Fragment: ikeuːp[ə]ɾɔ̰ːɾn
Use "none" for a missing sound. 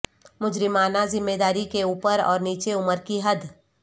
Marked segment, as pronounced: ə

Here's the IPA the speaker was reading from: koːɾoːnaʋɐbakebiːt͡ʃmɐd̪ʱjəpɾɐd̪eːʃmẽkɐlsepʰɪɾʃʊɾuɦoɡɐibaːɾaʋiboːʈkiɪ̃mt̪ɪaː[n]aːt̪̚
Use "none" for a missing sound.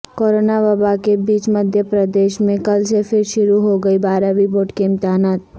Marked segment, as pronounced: n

